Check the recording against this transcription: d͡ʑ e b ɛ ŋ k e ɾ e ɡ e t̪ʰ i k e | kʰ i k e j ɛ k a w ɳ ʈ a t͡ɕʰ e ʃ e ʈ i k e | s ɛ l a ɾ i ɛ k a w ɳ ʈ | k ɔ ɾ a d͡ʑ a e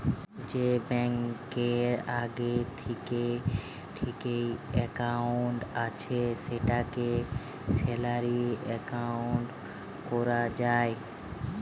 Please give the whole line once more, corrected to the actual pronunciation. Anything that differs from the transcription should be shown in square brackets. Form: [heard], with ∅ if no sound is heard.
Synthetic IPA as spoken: d͡ʑ e b ɛ ŋ k e ɾ [a] ɡ e t̪ʰ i k e | [ʈʰ] i k e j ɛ k a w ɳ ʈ a t͡ɕʰ e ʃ e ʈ [a] k e | s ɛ l a ɾ i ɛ k a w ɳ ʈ | k ɔ ɾ a d͡ʑ a e

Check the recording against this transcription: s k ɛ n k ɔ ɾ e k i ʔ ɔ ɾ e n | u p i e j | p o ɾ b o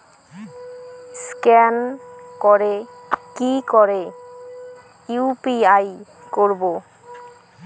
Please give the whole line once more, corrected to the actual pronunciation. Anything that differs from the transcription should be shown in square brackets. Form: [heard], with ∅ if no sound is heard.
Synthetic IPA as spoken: s k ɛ n k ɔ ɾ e k i [k] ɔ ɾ e [∅] | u p i [a] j | [k] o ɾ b o

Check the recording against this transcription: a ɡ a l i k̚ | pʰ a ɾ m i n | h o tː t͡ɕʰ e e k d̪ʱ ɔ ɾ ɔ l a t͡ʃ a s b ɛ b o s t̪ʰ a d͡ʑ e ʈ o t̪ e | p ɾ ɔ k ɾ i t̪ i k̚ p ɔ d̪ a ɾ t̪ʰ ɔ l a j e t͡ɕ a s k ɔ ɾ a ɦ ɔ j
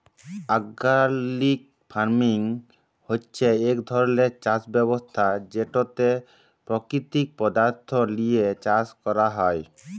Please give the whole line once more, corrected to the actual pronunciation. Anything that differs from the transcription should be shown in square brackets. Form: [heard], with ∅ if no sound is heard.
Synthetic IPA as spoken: a ɡ a l i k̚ | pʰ a ɾ m i [ŋ] | h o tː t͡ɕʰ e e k d̪ʱ ɔ ɾ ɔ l [e] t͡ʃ a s b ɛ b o s t̪ʰ a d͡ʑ e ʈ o t̪ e | p ɾ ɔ k ɾ i t̪ i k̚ p ɔ d̪ a ɾ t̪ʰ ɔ l [i] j e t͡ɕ a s k ɔ ɾ a ɦ ɔ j

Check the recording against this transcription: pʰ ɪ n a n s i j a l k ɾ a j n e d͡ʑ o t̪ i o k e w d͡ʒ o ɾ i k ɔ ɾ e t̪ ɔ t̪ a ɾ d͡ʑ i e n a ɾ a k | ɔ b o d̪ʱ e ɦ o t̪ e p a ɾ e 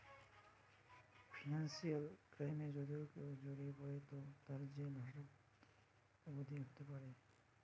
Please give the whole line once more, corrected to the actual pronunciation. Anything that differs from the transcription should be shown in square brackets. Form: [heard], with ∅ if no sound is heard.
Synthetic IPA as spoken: pʰ [i] n a n s i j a l k ɾ a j [m] e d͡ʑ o [d̪] i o k e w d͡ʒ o ɾ i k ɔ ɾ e t̪ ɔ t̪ a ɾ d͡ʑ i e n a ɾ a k | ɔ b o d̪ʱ [i] ɦ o t̪ e p a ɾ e

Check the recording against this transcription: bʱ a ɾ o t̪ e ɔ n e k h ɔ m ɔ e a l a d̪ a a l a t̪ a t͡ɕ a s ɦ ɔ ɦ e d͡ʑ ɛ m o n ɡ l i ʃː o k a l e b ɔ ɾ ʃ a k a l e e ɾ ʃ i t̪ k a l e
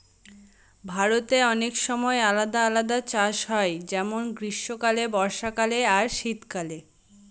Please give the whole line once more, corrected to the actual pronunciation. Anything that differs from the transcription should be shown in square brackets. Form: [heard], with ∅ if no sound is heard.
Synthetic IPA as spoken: bʱ a ɾ o t̪ e ɔ n e k [ʃ] ɔ m ɔ e a l a d̪ a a l a [d̪] a t͡ɕ a [ʃ] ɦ ɔ [∅] e d͡ʑ ɛ m o n ɡ [ɾ] i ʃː o k a l e b ɔ ɾ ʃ a k a l e [a] ɾ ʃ i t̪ k a l e

